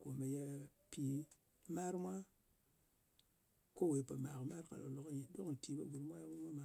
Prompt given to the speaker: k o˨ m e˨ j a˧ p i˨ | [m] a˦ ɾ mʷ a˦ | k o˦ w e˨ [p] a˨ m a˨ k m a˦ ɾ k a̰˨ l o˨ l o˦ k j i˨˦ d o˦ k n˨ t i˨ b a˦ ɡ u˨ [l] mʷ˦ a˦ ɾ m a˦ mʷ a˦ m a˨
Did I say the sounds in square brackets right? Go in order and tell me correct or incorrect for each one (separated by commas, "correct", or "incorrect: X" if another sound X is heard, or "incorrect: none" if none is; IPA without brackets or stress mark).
correct, correct, incorrect: ɾ